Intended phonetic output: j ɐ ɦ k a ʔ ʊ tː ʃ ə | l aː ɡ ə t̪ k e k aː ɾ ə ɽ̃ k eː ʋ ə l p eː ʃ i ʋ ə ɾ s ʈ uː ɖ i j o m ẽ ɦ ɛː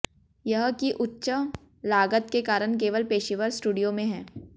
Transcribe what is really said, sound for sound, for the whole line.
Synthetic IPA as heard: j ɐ ɦ k i ʔ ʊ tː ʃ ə | l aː ɡ ə t̪ k e k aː ɾ ə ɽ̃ k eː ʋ ə l p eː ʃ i ʋ ə ɾ s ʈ uː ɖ i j o m ẽ ɦ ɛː